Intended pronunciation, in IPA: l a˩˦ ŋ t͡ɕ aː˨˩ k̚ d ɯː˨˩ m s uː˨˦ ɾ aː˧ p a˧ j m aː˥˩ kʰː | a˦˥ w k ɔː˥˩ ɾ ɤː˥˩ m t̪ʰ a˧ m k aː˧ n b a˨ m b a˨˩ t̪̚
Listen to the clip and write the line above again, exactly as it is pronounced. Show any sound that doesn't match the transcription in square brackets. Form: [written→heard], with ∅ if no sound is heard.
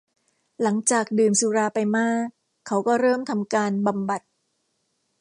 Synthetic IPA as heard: l a˩˦ ŋ t͡ɕ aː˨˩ k̚ d ɯː˨˩ m s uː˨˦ ɾ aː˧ p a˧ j m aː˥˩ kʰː | a˦˥ w k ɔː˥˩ ɾ ɤː˥˩ m t̪ʰ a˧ m k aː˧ n b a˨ m b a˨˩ t̪̚